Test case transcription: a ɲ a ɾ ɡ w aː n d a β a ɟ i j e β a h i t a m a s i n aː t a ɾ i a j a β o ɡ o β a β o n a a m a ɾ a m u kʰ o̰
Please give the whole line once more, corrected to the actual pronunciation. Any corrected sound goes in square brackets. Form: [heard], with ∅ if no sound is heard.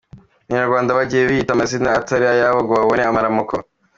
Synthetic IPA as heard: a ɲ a ɾ ɡ w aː n d a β a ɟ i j e β [i] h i t a m a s i n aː t a ɾ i a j a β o ɡ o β a β o n [e] a m a ɾ a m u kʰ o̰